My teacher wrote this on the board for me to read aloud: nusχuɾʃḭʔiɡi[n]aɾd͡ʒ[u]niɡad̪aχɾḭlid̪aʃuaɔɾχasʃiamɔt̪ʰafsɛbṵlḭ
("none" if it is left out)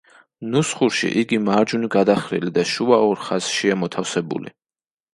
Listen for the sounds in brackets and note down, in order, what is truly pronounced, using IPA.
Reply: m, u

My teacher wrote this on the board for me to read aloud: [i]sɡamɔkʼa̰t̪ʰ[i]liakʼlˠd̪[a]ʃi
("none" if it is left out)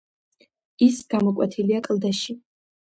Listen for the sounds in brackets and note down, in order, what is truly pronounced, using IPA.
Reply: i, i, a

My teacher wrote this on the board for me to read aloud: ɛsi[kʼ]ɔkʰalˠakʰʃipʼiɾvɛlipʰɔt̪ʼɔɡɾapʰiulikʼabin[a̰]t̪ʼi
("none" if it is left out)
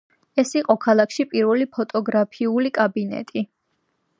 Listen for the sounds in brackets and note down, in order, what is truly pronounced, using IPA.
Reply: qʼ, ɛ̰

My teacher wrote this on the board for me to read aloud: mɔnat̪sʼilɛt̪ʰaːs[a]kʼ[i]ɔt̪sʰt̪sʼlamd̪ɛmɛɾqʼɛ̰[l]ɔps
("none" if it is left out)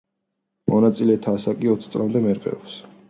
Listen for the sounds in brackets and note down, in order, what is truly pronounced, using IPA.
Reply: a, i, none

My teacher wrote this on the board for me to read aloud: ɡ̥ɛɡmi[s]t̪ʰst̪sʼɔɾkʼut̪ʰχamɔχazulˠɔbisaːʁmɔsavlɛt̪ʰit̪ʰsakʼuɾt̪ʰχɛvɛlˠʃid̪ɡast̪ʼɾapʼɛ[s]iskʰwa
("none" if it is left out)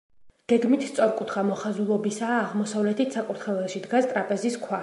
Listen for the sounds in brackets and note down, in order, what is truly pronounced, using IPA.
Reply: none, z

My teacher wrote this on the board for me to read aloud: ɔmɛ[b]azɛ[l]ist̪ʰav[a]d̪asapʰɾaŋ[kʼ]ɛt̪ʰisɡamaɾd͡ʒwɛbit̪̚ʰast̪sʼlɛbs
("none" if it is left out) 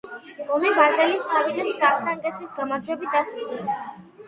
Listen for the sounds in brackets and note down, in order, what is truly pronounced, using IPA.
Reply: b, l, i, kʼ

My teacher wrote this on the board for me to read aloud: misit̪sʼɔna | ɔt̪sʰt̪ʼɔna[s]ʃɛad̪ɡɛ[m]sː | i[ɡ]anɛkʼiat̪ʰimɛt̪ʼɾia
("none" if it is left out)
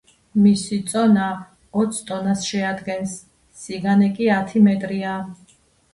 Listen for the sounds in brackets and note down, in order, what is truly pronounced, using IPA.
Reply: s, n, ɡ

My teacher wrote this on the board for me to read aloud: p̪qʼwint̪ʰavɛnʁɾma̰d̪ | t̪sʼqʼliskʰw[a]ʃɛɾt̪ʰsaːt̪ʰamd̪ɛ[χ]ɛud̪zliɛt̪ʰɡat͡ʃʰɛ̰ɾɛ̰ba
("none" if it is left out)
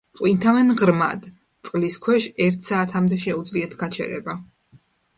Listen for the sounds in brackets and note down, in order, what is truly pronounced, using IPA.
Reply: ɛ, ʃ

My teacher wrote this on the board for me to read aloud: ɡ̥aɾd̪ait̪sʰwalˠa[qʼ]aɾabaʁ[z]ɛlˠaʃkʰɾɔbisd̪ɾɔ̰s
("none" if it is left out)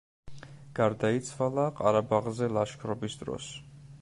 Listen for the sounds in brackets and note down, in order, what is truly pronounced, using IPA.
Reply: qʼ, z

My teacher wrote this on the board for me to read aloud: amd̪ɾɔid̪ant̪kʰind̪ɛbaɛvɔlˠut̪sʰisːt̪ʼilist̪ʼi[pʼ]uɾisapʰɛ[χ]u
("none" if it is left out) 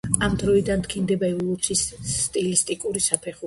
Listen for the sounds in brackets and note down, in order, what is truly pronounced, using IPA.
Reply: kʼ, χ

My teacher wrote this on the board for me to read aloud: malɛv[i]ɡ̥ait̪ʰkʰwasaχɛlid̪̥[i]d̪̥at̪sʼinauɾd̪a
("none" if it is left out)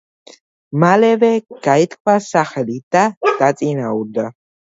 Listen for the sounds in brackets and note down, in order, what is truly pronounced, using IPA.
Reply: ɛ, a

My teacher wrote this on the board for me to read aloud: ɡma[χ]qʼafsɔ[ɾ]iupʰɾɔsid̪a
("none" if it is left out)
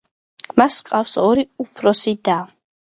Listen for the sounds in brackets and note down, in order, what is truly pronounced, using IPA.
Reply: s, ɾ

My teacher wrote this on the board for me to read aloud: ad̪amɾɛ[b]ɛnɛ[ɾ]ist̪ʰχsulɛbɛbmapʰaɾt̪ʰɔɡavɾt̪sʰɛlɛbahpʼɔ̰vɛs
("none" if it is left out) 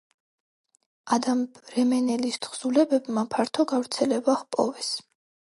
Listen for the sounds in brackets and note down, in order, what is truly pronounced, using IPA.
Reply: m, l

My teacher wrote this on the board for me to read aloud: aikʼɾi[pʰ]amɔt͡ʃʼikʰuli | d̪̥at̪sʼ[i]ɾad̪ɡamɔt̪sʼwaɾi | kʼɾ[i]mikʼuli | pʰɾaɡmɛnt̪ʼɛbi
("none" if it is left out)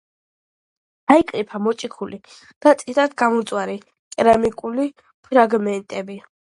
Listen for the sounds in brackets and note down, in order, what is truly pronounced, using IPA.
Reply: pʰ, i, a

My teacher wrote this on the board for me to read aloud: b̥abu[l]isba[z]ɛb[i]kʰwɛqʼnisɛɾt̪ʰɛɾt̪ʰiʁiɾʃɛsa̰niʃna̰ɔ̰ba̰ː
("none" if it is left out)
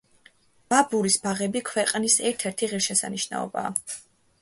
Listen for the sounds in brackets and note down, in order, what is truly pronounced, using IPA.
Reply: ɾ, ʁ, i

